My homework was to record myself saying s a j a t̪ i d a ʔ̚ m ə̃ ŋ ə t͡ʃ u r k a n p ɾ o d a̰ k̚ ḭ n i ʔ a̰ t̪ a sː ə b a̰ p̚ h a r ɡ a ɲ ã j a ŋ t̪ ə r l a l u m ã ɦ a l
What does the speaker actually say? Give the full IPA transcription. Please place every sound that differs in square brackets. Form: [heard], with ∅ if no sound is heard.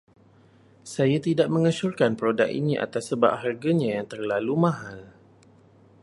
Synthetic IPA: s a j a t̪ i d a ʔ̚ m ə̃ ŋ ə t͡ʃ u r k a n p ɾ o d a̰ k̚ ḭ n i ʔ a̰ t̪ a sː ə b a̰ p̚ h a r ɡ a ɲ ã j a ŋ t̪ ə r l a l u m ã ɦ a l